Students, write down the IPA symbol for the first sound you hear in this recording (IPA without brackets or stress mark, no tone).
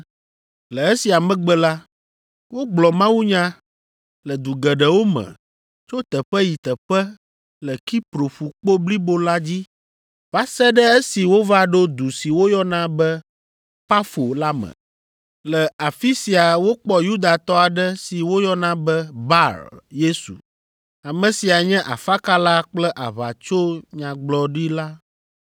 l